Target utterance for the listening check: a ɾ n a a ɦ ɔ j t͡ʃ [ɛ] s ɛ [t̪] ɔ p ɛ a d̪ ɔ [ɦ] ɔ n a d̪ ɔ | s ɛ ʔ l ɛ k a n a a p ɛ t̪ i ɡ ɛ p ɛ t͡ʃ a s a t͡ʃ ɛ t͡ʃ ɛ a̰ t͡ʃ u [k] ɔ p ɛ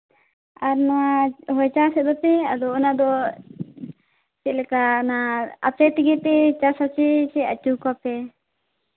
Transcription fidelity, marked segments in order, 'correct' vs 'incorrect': incorrect: a, incorrect: d̪, incorrect: none, correct

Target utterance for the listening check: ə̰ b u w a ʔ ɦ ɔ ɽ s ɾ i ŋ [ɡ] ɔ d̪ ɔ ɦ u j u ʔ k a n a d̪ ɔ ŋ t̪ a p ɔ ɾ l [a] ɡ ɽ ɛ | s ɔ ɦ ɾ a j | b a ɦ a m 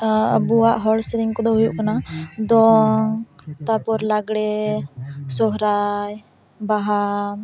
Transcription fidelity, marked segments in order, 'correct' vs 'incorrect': incorrect: k, correct

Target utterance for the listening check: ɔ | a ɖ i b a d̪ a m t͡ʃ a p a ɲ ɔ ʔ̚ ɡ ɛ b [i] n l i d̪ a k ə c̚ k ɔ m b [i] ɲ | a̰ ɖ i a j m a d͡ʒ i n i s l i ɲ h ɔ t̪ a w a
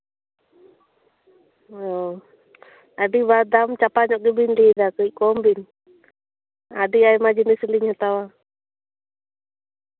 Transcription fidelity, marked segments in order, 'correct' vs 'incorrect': correct, correct

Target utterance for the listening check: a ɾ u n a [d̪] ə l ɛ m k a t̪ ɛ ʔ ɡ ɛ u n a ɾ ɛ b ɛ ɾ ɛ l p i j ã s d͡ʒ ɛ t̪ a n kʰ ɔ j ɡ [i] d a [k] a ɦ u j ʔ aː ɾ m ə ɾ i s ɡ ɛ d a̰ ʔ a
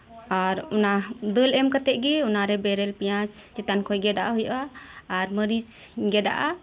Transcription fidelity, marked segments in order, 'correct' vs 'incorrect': correct, incorrect: ɛ, incorrect: ʔ

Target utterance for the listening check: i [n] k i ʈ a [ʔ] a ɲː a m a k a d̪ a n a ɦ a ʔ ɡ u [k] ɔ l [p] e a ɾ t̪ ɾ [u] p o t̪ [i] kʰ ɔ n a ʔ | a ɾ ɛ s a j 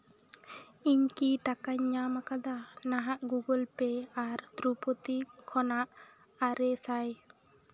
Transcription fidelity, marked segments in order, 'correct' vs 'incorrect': incorrect: ɲ, incorrect: k, incorrect: ɡ, correct, correct, correct

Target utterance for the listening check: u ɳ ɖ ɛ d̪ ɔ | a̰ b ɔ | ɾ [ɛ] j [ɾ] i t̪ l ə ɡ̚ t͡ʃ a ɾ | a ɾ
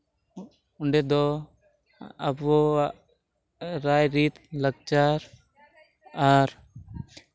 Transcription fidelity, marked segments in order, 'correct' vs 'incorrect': incorrect: a, correct

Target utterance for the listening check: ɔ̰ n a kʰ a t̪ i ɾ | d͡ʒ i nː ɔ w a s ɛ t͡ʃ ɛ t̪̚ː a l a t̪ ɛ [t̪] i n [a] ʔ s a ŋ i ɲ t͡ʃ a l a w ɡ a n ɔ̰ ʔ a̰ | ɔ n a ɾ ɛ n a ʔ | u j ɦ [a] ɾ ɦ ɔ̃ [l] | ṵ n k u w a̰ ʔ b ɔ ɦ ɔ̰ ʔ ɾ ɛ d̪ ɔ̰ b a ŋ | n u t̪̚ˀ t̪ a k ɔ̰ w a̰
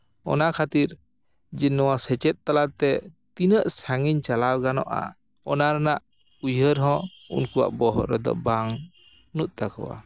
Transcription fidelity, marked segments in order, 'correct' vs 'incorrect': correct, incorrect: ə, incorrect: ə, incorrect: none

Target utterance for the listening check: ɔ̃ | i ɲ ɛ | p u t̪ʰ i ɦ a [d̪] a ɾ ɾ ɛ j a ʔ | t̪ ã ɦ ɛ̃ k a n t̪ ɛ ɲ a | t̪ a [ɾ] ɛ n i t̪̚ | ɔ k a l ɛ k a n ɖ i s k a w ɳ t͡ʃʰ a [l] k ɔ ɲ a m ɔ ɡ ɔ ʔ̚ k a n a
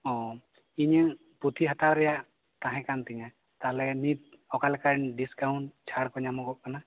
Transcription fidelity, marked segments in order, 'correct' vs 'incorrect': incorrect: t̪, incorrect: l, incorrect: ɽ

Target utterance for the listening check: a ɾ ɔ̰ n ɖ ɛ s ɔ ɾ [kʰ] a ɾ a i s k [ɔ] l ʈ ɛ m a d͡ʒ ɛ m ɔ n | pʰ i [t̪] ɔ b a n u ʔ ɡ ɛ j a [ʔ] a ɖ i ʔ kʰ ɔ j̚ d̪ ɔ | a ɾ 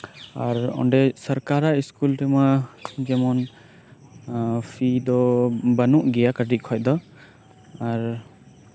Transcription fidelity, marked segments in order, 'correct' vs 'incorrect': incorrect: k, incorrect: u, incorrect: d̪, incorrect: k

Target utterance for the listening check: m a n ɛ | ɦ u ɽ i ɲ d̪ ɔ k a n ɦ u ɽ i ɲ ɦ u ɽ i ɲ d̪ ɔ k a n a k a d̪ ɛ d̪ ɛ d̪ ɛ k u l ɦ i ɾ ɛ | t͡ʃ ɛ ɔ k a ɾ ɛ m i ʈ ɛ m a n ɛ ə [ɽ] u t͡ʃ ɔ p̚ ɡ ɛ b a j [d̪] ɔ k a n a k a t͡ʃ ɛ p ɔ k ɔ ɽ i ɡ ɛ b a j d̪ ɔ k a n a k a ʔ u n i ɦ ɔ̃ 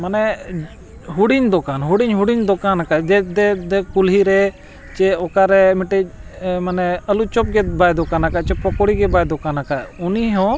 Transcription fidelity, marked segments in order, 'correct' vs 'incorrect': incorrect: l, correct

